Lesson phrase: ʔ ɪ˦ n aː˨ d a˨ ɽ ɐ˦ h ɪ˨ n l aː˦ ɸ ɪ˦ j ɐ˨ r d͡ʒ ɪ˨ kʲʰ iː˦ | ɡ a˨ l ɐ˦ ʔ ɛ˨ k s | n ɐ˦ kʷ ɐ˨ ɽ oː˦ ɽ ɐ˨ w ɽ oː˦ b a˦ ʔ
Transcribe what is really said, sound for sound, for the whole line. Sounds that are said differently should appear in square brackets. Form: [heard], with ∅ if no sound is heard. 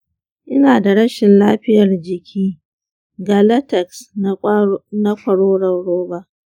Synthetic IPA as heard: ʔ ɪ˦ n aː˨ d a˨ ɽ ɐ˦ [ʃ] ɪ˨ n l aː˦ ɸ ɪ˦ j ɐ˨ r d͡ʒ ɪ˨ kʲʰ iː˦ | ɡ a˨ l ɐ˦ [t] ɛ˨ k s | n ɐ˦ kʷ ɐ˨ ɽ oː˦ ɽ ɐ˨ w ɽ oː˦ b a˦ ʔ